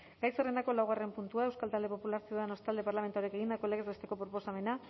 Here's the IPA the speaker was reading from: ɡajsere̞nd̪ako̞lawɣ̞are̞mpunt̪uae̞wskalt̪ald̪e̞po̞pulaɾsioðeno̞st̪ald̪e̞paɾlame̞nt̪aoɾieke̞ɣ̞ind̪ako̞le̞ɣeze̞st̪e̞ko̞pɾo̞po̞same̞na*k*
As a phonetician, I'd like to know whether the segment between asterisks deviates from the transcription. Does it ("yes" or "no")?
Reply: yes